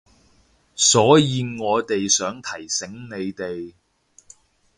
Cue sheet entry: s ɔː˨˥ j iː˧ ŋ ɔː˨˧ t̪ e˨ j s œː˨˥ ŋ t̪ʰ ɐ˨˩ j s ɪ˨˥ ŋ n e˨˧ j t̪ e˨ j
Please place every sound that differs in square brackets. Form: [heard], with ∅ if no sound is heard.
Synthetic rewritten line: s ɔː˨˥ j iː˧ ŋ ɔː˨˧ t̪ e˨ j s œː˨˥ ŋ t̪ʰ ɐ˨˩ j s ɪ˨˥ ŋ n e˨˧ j t̪ e˨ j